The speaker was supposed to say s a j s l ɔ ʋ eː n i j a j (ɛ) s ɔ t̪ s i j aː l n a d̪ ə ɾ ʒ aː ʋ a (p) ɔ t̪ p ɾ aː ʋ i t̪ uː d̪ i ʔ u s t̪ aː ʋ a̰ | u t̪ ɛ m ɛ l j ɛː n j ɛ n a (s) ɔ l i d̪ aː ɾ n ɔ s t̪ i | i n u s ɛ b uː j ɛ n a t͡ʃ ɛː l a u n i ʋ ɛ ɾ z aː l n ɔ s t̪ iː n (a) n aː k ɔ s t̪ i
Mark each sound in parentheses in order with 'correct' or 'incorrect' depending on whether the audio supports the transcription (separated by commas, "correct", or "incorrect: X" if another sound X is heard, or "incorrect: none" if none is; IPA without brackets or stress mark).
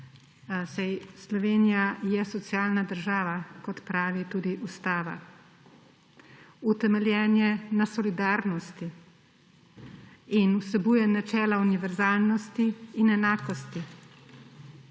correct, incorrect: k, correct, incorrect: ɛ